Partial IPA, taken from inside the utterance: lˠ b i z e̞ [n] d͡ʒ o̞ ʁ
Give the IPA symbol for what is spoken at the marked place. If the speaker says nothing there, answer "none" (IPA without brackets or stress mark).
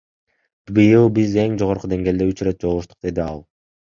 ŋ